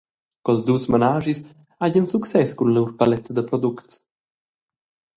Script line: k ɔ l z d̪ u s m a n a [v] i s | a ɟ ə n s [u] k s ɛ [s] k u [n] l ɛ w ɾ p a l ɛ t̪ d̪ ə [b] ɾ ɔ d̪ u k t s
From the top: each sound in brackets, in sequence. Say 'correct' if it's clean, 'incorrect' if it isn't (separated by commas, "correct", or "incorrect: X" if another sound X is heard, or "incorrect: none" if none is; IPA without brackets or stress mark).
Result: incorrect: ʒ, correct, correct, correct, incorrect: p